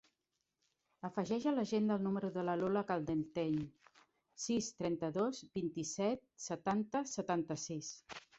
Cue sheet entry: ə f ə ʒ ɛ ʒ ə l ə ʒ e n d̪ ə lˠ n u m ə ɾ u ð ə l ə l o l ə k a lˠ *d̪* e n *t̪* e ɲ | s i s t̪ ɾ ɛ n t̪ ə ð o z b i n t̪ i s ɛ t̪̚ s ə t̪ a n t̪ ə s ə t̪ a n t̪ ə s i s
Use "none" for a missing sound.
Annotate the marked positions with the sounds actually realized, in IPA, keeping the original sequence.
d̪, t̪

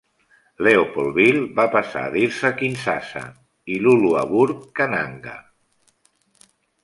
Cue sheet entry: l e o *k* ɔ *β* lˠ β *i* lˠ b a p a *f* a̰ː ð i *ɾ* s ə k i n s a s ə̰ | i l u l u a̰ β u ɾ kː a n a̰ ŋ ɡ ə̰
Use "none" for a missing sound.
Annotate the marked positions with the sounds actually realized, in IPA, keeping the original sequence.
p, none, i, s, ɾ

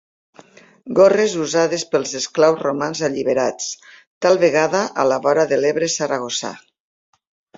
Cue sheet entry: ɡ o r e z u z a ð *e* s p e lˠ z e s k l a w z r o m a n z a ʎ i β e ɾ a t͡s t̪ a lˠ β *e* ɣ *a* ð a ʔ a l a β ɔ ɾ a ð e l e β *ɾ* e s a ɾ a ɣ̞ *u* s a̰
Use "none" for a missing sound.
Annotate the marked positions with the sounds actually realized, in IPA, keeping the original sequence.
e, e, a, ɾ, o

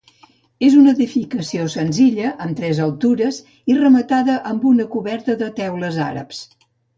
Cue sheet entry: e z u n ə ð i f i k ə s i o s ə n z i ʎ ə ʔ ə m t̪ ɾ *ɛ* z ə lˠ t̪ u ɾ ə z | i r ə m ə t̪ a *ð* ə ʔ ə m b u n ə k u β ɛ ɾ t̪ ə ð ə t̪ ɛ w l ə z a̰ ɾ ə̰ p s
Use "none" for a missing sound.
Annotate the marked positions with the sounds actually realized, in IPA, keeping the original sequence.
ɛ, ð

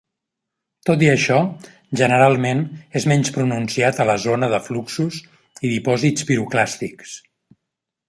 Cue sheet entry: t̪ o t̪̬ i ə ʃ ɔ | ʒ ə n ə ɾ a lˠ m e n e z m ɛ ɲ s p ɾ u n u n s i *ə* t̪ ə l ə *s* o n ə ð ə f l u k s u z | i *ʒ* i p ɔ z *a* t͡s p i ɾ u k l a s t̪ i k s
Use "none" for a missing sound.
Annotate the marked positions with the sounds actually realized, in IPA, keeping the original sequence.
a, z, ð, i

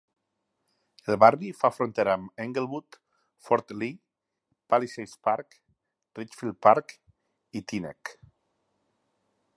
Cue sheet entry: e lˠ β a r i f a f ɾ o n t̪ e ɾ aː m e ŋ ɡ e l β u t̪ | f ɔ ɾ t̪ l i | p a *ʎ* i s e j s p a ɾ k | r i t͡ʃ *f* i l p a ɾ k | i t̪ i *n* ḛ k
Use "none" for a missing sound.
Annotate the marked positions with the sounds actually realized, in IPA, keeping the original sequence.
l, f, n

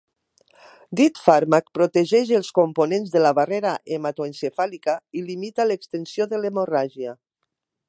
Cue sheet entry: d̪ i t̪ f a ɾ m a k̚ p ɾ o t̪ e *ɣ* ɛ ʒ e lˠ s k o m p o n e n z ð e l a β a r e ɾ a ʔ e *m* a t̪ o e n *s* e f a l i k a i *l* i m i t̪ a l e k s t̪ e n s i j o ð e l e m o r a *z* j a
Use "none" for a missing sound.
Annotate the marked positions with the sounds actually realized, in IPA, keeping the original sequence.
ʒ, m, s, l, ʒ

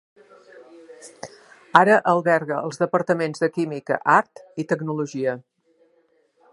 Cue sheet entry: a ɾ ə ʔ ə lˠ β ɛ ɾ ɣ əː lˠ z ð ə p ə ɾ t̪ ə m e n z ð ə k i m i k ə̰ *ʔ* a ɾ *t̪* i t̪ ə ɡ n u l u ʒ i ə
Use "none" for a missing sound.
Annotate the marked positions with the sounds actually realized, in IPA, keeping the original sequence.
ʔ, t̪

